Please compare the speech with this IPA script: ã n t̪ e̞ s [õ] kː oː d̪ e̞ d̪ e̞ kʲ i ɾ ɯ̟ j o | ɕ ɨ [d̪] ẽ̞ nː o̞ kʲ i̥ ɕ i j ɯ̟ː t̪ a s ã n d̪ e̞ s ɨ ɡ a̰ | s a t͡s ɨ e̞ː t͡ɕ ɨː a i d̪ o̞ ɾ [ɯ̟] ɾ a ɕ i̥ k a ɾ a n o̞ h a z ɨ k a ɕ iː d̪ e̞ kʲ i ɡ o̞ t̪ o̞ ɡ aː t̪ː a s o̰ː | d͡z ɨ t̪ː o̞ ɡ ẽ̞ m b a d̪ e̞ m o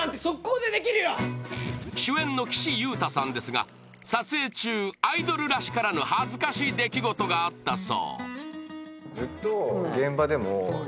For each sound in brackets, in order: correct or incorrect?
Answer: incorrect, incorrect, correct

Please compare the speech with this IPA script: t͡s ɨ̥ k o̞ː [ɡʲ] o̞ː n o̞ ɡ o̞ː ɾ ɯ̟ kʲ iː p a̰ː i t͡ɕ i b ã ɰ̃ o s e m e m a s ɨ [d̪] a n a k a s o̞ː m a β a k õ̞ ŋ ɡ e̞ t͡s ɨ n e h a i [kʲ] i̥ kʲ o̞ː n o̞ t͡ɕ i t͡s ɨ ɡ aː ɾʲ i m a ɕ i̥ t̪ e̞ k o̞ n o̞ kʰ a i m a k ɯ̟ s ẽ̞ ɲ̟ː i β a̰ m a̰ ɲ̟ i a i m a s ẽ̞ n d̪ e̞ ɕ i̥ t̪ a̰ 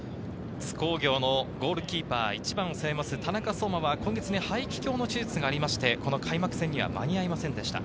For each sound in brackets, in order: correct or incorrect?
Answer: correct, incorrect, correct

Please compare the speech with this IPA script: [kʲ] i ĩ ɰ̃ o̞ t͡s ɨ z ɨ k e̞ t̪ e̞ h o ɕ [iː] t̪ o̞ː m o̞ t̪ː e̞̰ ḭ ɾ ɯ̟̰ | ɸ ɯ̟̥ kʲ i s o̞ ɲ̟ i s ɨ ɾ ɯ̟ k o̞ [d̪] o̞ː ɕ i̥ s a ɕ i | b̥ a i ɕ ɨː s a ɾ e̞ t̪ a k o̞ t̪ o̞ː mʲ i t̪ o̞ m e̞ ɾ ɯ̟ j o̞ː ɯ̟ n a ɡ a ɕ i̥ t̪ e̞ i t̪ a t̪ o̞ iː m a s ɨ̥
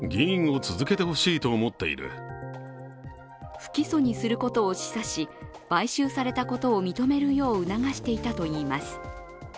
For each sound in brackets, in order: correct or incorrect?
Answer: incorrect, correct, incorrect

